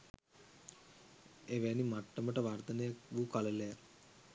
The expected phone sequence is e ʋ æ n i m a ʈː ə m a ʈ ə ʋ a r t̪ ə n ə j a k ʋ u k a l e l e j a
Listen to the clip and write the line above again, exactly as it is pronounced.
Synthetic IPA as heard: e ʋ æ n i m a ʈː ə m ə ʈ ə ʋ a r t̪ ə n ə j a k ʋ u k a l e l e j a